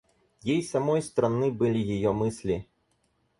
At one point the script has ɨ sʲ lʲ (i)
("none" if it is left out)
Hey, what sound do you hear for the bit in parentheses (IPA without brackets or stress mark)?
i